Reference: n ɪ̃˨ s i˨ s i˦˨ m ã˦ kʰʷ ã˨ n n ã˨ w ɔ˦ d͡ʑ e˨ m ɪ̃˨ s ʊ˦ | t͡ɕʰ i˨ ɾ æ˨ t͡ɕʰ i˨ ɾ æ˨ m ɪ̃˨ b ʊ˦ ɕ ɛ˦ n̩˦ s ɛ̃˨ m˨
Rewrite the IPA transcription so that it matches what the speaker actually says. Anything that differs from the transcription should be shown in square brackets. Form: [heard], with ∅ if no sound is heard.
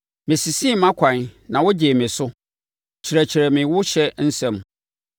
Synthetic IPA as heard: [m] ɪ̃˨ s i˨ s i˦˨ m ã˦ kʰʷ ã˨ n n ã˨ w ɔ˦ d͡ʑ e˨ m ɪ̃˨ s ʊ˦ | t͡ɕʰ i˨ ɾ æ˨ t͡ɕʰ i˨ ɾ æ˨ m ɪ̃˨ [w] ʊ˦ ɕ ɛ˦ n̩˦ s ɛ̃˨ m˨